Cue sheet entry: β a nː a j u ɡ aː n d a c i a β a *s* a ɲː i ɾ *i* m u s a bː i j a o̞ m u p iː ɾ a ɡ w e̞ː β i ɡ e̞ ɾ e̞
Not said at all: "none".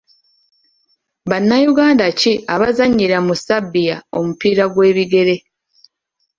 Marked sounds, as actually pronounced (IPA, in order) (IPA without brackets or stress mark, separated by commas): z, a